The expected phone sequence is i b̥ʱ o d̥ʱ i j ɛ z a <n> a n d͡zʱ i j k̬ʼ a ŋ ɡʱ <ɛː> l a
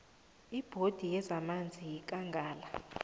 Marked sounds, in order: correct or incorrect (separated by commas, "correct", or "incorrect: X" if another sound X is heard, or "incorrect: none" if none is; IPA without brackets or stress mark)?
incorrect: m, incorrect: aː